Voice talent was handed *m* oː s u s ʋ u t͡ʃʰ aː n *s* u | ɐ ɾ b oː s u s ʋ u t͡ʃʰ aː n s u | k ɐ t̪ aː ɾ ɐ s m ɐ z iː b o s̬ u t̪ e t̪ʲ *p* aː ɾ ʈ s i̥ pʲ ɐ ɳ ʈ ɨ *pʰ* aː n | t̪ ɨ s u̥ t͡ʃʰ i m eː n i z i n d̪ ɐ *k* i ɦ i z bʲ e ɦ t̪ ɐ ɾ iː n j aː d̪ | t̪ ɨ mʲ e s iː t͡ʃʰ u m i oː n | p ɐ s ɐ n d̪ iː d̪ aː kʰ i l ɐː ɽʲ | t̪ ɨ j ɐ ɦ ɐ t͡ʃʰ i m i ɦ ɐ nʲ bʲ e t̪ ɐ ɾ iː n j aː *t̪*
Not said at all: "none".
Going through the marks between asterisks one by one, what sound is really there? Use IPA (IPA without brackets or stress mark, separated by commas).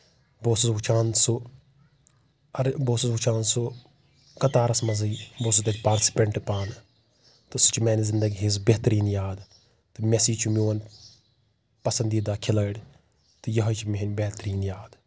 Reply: b, s, p, p, ɡ, d̪